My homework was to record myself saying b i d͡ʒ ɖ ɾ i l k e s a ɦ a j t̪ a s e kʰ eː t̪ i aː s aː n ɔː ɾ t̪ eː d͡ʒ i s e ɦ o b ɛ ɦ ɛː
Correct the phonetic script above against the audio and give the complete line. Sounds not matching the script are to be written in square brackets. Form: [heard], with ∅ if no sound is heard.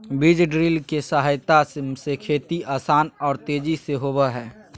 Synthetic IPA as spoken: b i d͡ʒ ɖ ɾ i l k e s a ɦ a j t̪ a s e kʰ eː t̪ i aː s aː n ɔː ɾ t̪ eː d͡ʒ i s e ɦ o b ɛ ɦ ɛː